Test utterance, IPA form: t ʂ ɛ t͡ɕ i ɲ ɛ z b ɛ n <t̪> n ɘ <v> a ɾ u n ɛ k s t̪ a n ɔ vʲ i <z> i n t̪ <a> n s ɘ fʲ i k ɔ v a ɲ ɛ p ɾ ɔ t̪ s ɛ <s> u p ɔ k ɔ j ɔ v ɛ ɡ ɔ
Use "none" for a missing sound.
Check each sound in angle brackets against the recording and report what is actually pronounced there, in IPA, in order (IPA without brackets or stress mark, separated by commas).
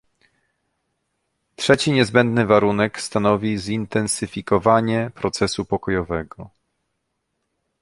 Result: d̪, v, z, ɛ, s